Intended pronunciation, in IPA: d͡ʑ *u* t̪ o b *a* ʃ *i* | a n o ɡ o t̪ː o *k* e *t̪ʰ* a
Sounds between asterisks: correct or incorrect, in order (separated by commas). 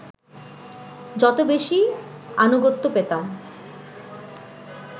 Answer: incorrect, incorrect, correct, incorrect, incorrect